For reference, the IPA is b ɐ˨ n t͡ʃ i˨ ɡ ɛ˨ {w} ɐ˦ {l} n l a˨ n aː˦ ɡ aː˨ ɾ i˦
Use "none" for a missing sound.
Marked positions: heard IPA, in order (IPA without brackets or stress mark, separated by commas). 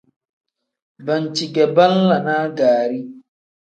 b, none